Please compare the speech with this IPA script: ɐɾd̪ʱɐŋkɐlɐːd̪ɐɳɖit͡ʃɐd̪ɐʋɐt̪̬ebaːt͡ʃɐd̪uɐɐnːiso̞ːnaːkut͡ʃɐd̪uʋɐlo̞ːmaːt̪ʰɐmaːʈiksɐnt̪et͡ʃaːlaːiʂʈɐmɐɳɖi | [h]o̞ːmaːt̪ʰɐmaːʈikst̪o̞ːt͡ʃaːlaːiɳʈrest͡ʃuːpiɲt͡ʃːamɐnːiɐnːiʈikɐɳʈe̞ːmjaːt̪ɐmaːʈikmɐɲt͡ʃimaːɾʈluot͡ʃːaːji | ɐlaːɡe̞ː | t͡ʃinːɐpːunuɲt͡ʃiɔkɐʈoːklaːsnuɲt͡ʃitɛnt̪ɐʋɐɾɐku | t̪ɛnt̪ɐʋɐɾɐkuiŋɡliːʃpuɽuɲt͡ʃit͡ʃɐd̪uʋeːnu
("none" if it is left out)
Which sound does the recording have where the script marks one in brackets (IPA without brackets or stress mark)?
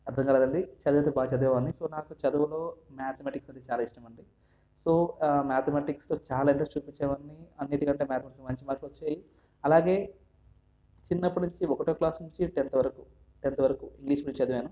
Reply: s